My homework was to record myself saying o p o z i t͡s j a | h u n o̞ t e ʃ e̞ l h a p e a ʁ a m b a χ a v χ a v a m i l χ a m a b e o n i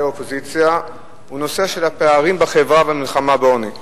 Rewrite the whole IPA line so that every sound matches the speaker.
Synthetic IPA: o p o z i t͡s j a | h u n o̞ s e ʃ e̞ l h a p e a ʁ i m b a χ e v ʁ a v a m i l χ a m a b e o n i